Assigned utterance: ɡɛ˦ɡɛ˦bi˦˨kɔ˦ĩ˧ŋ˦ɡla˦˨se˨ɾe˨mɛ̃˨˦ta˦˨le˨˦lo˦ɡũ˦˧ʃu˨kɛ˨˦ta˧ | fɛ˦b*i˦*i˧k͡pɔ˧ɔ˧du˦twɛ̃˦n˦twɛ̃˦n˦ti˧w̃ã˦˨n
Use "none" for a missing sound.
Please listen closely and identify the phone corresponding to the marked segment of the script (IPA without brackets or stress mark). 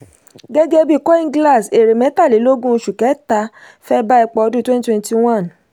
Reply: a˦